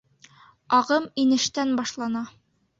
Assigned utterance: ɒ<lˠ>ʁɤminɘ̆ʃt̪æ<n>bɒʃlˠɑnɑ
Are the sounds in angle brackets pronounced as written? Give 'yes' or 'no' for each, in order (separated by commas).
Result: no, yes